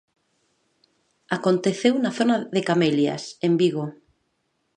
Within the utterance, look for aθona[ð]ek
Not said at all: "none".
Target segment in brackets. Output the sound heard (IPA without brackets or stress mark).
ð